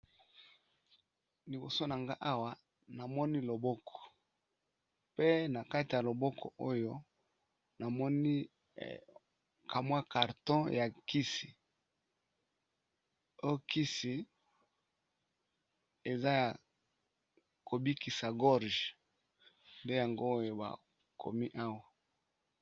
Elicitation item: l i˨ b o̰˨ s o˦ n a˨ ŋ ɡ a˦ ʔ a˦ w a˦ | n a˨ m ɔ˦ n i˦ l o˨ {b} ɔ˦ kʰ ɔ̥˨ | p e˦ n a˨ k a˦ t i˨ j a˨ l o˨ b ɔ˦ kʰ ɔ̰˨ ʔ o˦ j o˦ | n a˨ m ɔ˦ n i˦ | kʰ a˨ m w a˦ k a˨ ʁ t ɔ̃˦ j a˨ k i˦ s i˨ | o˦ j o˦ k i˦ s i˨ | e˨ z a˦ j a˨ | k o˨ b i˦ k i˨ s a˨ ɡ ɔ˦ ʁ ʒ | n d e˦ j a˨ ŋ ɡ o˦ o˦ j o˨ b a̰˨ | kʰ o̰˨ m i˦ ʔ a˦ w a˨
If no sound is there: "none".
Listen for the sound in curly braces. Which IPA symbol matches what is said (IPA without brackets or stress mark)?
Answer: b